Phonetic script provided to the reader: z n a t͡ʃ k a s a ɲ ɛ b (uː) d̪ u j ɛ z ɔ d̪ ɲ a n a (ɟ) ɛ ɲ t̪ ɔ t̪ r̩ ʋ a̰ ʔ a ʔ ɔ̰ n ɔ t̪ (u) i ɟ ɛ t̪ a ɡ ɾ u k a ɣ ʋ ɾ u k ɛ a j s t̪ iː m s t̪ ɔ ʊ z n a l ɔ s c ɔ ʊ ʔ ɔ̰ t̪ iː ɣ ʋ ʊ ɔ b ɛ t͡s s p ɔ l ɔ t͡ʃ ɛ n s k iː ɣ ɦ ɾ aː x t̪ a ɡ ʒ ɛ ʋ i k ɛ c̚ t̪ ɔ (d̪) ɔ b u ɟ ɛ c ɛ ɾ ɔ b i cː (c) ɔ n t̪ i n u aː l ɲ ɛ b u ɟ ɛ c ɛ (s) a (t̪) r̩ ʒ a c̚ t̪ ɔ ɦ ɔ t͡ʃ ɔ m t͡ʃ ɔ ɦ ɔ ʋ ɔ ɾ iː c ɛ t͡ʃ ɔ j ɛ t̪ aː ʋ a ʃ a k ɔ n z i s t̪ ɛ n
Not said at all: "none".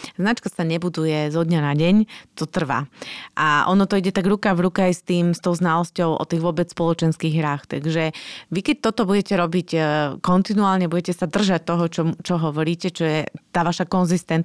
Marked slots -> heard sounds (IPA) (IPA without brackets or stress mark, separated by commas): u, ɟ, ɔ, t̪, k, s, d̪